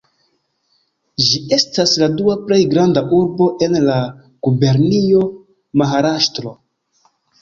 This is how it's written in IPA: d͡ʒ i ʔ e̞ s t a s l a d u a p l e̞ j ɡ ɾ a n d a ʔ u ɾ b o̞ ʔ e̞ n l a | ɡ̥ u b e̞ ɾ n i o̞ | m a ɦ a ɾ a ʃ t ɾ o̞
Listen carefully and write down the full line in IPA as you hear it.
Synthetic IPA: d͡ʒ i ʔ e̞ s t a s l a d u a p l e̞ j ɡ ɾ a n d a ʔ u ɾ b o̞ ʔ e̞ n l a | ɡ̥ u b e̞ ɾ n i o̞ | m a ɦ a ɾ a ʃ t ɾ o̞